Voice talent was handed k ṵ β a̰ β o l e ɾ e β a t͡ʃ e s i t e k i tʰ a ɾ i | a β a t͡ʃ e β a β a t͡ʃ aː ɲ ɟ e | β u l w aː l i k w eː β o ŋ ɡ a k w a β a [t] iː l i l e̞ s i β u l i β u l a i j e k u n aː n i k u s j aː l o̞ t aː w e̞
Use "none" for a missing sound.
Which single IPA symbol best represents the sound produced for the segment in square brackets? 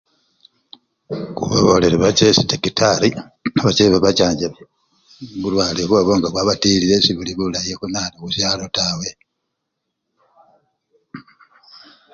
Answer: t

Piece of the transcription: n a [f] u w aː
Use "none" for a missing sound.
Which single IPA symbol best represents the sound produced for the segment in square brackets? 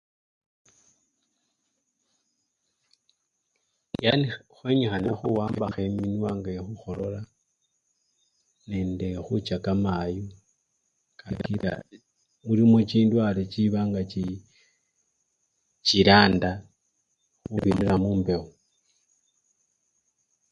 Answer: x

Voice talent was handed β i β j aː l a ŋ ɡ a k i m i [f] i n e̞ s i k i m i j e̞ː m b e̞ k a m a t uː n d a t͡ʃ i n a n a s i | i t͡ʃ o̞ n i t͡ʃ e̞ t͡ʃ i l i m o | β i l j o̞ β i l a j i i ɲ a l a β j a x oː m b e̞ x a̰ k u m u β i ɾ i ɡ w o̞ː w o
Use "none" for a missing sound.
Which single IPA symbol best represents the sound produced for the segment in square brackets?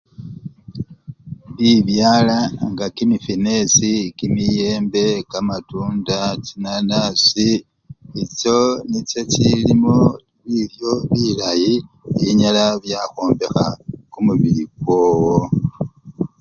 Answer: f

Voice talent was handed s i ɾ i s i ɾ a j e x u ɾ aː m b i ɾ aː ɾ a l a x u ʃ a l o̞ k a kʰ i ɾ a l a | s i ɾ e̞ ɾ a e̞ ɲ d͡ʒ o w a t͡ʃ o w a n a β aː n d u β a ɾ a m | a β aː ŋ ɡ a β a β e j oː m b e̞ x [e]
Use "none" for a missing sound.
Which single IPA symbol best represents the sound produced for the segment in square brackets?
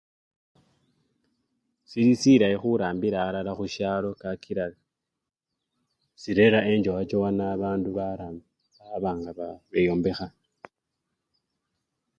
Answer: a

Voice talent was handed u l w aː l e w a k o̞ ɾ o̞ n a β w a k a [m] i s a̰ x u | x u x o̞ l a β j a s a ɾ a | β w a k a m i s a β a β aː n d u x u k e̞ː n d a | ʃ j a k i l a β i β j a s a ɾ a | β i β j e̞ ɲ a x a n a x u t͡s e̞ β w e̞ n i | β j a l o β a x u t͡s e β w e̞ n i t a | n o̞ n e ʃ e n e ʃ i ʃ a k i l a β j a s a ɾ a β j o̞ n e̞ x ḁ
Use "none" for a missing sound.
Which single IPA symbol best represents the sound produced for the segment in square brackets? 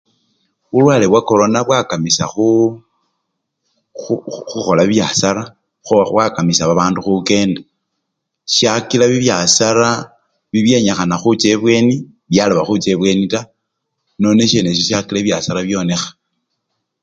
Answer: m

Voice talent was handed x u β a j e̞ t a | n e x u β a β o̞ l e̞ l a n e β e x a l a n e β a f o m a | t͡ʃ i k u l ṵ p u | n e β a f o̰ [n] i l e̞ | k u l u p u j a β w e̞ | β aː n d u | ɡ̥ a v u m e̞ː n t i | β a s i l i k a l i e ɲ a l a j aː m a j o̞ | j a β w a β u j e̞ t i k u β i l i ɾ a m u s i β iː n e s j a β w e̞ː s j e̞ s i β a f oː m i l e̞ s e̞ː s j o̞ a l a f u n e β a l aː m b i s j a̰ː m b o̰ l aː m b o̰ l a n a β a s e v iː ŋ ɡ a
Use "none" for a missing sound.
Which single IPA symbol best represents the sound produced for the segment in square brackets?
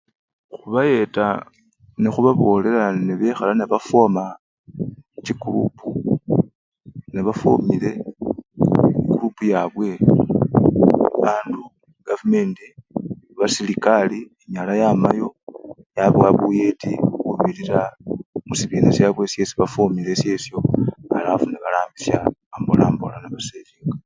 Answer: m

